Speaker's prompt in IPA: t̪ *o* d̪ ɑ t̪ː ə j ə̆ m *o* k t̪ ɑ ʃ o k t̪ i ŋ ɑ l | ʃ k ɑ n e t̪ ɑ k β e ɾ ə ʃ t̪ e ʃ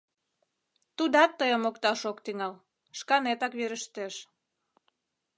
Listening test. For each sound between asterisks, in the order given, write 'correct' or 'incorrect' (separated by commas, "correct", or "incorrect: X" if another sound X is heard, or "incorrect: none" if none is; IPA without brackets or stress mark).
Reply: incorrect: u, correct